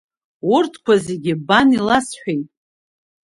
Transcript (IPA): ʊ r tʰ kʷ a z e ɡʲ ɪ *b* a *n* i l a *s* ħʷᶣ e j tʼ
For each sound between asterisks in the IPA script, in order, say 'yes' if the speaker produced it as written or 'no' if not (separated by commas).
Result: yes, yes, yes